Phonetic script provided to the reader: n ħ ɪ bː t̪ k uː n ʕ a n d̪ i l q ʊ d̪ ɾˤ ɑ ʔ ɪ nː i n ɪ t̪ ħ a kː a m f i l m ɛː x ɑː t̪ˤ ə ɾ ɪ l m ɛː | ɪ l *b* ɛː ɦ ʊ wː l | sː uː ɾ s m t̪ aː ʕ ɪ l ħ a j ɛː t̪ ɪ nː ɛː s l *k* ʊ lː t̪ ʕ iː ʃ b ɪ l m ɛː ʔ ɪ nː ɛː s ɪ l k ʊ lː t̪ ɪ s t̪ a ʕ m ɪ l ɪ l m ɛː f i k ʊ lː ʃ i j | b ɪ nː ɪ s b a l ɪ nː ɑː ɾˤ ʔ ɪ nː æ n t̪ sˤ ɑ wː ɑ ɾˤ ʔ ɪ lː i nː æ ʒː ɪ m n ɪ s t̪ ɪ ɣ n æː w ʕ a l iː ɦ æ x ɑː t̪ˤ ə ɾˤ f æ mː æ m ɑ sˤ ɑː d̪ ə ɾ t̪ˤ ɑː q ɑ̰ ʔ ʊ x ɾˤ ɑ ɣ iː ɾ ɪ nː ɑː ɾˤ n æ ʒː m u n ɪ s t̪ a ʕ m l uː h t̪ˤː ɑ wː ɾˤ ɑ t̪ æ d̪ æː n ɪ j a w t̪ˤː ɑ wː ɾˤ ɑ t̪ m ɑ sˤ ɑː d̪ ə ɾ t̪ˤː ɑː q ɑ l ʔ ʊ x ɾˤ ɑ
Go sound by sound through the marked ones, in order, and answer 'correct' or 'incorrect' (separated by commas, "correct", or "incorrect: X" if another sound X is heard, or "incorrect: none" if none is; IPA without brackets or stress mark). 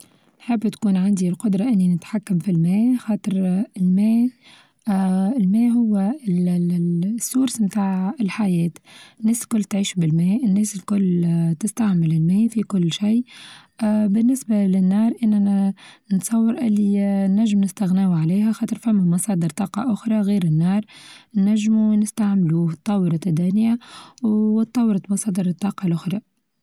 incorrect: m, correct